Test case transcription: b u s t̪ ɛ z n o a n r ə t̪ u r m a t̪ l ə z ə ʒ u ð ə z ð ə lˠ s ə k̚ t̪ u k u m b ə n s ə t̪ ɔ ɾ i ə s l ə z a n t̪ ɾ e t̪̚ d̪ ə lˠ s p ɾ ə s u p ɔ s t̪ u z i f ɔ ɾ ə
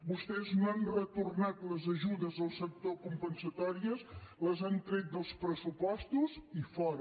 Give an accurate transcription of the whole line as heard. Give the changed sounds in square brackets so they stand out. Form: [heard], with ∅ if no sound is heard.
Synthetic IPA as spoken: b u s t̪ ɛ z n o a n r ə t̪ u r [n] a t̪ l ə z ə ʒ u ð ə z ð ə lˠ s ə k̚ t̪ [o] k u m [p] ə n s ə t̪ ɔ ɾ i ə s l ə z a n t̪ ɾ e t̪̚ d̪ ə lˠ s p ɾ ə s u p ɔ s t̪ u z i f ɔ ɾ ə

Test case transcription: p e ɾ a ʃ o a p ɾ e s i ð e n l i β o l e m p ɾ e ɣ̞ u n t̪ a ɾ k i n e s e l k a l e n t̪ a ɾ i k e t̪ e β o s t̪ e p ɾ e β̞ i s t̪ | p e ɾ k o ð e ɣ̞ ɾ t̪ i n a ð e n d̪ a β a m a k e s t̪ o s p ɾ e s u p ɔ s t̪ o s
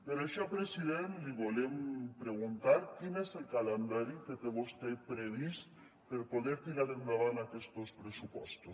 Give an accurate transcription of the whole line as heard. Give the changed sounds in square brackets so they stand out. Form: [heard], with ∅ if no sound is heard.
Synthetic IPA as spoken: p e ɾ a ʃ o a p ɾ e s i ð e n l i β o l e m p ɾ e ɣ̞ u n t̪ a ɾ k i n e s e l k a l e n [d̪] a ɾ i k e t̪ e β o s t̪ e p ɾ e β̞ i s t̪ | p e ɾ [p] o ð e [∅] ɾ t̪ i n a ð e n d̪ a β a [n] a k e s t̪ o s p ɾ e s u p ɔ s t̪ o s

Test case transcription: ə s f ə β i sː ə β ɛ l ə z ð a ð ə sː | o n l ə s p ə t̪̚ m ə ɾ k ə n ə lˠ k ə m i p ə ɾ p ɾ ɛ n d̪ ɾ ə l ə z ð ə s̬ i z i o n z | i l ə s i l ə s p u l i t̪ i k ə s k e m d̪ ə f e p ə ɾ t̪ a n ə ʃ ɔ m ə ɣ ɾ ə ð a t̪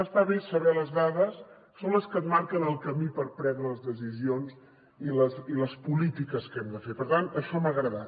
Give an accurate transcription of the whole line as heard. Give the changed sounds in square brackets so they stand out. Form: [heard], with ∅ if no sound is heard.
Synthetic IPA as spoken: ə s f [a] β i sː ə β ɛ l ə z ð a ð ə sː | o n l ə s [k] ə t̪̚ m [a] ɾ k ə n ə lˠ k ə m i p ə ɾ p ɾ ɛ n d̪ ɾ ə l ə z ð ə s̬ i z i o n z | i l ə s i l ə s p u l i t̪ i k ə s k [ɛ] m d̪ ə f e p ə ɾ t̪ a n ə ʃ ɔ m ə ɣ ɾ ə ð a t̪

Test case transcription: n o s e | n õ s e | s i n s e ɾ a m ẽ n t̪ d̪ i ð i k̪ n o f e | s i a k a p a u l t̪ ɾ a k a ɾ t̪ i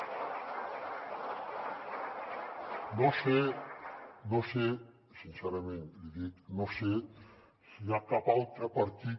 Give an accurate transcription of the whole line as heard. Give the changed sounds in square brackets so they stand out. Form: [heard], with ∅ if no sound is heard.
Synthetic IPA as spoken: n o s e | n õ s e | s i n s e ɾ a m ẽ n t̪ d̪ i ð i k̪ n o [s] e | s i a k a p a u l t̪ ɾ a [p] a ɾ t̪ i

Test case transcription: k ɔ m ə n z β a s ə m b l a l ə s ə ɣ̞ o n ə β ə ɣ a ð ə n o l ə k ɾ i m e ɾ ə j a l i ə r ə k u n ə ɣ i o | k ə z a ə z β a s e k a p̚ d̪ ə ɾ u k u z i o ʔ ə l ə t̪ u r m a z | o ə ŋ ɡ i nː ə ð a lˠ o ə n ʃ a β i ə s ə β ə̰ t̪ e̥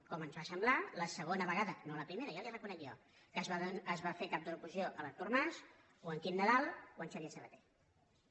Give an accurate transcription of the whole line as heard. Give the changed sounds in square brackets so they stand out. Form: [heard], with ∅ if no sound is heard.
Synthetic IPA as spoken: k ɔ m ə n z β a s ə m b l a l ə s ə ɣ̞ o n ə β ə ɣ a ð ə n o l ə [p] ɾ i m e ɾ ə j a l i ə r ə k u n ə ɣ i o | k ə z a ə z β a [f] e k a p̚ d̪ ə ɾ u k u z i o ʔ ə l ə t̪ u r m a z | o ə ŋ [k] i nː ə ð a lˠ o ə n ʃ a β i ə s ə β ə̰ t̪ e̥

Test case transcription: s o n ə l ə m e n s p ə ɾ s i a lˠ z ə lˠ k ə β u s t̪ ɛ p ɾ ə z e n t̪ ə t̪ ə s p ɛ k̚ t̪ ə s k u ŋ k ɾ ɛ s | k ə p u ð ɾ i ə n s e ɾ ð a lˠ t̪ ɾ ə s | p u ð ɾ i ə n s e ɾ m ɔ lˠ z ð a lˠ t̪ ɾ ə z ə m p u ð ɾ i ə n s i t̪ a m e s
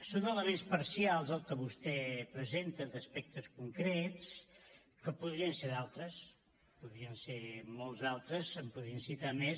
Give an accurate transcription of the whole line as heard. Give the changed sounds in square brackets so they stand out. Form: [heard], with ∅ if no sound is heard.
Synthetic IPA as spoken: s o n ə l ə m e n s p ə ɾ s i a lˠ z ə lˠ k ə β u s t̪ ɛ p ɾ ə z e n t̪ ə [d̪] ə s p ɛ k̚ t̪ ə s k u ŋ k ɾ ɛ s | k ə p u ð ɾ i ə n s e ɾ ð a lˠ t̪ ɾ ə s | p u ð ɾ i ə n s e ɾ m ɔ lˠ z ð a lˠ t̪ ɾ ə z ə m p u ð ɾ i ə n s i t̪ a m e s

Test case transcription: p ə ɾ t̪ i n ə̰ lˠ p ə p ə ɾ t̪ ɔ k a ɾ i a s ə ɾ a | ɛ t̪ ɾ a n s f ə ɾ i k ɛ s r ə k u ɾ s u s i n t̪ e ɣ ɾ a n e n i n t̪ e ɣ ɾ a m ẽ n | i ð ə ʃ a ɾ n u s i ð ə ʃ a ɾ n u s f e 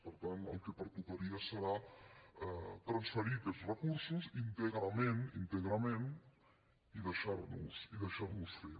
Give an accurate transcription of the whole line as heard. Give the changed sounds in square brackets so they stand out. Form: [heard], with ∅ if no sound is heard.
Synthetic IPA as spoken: p ə ɾ t̪ [a] n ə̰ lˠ [k] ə p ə ɾ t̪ [u] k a ɾ i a s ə ɾ a | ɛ t̪ ɾ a n s f ə ɾ i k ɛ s r ə k u ɾ s u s i n t̪ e ɣ ɾ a [m] e n i n t̪ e ɣ ɾ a m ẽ n | i ð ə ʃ a ɾ n u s i ð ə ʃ a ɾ n u s f e

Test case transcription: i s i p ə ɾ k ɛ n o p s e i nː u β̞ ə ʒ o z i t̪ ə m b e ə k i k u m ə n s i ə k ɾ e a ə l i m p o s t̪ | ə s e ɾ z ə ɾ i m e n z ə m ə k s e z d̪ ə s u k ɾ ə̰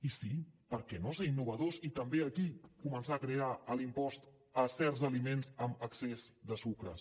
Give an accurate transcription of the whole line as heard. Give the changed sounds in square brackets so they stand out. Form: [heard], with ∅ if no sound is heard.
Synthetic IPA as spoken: i s i p ə ɾ k ɛ n o [∅] s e i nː u β̞ ə [ð] o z i t̪ ə m b e ə k i k u m ə n s [a] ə k ɾ e a ə l i m p [ɔ] s t̪ | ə s [ɛ] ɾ z ə [l] i m e n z ə m ə k s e z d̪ ə s u k ɾ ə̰

